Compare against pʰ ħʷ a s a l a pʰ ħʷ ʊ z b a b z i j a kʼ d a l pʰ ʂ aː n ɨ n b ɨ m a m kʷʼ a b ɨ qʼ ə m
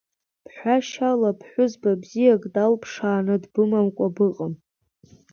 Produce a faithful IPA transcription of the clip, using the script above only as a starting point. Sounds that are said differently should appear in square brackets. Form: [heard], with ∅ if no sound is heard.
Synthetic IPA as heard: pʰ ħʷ a [ʃ] a l a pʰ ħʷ ʊ z b a b z i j a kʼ d a l pʰ ʂ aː n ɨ [d] b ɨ m a m kʷʼ a b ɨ qʼ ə m